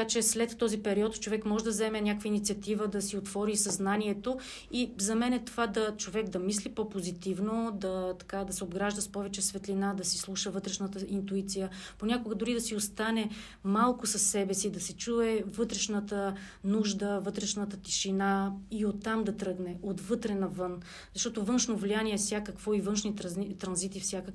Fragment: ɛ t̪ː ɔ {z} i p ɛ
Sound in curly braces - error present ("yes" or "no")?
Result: no